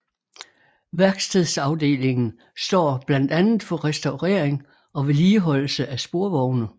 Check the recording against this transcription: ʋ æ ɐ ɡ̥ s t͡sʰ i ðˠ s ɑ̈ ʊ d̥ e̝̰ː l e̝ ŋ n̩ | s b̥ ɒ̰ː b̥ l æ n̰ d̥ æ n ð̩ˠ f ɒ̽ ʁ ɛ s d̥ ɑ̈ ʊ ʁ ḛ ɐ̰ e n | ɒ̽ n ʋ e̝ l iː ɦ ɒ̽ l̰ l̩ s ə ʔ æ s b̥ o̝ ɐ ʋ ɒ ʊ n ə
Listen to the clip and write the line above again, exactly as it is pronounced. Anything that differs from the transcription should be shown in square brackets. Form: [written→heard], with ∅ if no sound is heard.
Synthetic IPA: ʋ æ ɐ ɡ̥ s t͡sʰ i ðˠ s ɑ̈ ʊ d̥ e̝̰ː l e̝ ŋ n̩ | s [b̥→d̥] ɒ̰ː b̥ l æ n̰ d̥ æ n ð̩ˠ f ɒ̽ ʁ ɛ s d̥ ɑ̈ ʊ ʁ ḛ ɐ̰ e [n→ŋ] | ɒ̽ [n→∅] ʋ e̝ l iː ɦ ɒ̽ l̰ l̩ s ə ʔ æ s b̥ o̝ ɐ ʋ ɒ ʊ n ə